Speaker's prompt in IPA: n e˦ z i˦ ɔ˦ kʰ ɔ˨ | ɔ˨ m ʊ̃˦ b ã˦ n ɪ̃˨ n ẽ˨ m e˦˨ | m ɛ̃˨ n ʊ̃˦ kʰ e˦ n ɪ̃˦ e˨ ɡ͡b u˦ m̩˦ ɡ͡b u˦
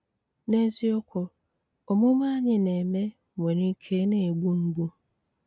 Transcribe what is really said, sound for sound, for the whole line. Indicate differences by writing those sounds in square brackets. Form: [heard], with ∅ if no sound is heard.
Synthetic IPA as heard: n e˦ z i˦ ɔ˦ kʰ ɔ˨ | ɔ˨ m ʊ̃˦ [m] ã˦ [ɲ] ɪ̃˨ n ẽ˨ m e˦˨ | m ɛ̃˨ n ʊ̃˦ kʰ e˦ n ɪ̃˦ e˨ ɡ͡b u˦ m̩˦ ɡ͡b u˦